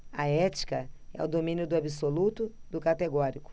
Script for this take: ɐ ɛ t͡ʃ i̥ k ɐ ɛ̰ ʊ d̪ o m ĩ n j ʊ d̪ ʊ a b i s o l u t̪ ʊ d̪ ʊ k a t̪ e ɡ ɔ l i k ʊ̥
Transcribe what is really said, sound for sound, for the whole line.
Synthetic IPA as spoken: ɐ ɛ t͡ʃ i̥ k ɐ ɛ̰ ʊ d̪ o m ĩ n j ʊ d̪ ʊ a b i s o l u t̪ ʊ d̪ ʊ k a t̪ e ɡ ɔ ɾ i k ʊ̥